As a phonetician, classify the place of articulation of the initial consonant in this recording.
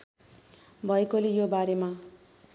labial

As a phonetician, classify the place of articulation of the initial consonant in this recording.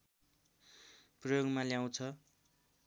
labial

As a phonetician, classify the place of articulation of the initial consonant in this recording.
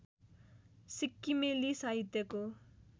alveolar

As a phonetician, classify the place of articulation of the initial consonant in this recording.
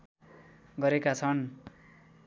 velar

